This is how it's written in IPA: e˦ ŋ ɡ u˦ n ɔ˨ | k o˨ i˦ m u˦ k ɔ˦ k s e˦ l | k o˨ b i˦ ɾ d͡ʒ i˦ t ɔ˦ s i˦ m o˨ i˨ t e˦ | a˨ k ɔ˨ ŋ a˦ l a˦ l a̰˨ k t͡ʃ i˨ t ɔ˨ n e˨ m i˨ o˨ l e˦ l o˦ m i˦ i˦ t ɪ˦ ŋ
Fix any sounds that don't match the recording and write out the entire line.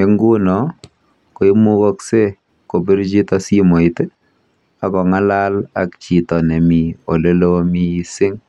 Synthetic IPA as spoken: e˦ ŋ ɡ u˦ n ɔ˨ | k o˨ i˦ m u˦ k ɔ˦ k s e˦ | k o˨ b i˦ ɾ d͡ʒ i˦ t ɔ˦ s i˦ m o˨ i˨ t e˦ | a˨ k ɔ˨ ŋ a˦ l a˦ l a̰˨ k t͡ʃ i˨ t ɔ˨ n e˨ m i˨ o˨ l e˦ l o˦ m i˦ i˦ s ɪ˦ ŋ